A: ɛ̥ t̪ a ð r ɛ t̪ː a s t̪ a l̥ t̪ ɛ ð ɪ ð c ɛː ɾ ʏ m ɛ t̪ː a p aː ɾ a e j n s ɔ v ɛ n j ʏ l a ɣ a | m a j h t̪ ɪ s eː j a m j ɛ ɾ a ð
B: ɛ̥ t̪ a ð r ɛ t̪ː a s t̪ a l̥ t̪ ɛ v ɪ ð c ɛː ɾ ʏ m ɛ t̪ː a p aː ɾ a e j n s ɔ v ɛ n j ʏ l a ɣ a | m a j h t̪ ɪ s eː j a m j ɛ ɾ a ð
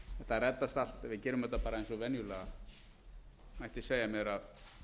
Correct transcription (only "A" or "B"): B